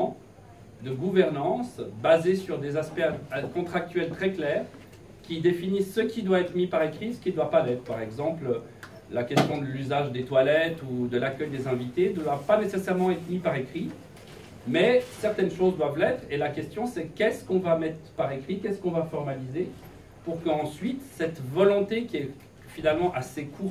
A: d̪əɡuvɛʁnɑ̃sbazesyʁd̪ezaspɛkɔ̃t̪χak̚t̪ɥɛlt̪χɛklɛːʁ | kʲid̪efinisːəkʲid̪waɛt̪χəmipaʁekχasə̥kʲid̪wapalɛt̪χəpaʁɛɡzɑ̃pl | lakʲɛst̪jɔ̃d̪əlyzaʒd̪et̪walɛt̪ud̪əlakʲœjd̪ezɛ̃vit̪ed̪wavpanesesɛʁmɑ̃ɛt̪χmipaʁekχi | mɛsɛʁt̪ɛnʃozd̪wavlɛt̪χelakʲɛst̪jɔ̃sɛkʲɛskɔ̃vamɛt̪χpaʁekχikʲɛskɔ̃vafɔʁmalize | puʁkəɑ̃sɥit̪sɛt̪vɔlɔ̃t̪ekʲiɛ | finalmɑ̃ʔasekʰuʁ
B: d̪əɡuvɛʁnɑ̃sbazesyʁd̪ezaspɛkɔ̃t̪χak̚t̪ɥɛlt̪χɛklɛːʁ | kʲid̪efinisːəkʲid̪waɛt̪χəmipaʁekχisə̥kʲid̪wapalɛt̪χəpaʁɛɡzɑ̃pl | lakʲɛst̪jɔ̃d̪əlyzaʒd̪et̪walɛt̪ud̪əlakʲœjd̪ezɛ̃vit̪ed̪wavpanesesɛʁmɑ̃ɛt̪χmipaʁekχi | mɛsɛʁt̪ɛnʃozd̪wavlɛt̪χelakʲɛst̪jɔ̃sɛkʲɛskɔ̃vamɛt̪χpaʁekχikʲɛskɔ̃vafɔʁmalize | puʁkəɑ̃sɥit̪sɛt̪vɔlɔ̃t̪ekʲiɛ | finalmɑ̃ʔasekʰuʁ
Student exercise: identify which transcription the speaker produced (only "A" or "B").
B